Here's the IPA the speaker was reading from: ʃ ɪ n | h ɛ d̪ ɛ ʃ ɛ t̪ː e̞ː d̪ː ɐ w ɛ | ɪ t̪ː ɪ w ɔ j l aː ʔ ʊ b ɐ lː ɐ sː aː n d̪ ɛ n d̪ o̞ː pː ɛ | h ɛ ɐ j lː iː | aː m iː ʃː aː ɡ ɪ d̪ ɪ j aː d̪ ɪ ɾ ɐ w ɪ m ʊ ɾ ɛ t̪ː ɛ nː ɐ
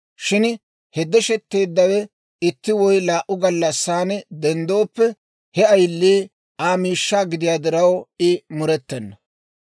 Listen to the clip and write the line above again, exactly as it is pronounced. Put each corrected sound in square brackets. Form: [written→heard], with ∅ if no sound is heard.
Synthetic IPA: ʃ ɪ n | h ɛ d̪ ɛ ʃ ɛ t̪ː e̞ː d̪ː ɐ w ɛ | ɪ t̪ː ɪ w ɔ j l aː ʔ ʊ [b→ɡ] ɐ lː ɐ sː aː n d̪ ɛ n d̪ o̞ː pː ɛ | h ɛ ɐ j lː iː | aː m iː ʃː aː ɡ ɪ d̪ ɪ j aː d̪ ɪ ɾ ɐ w ɪ m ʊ ɾ ɛ t̪ː ɛ nː ɐ